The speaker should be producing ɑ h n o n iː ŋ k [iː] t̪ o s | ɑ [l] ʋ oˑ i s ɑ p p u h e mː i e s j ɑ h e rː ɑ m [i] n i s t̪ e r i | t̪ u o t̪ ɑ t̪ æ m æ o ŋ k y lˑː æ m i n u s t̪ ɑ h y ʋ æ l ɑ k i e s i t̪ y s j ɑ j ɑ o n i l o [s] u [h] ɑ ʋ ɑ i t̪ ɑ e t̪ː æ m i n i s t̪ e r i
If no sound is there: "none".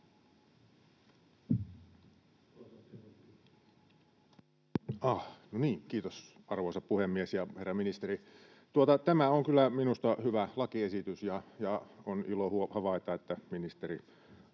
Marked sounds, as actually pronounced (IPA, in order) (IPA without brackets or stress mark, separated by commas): iː, r, i, h, h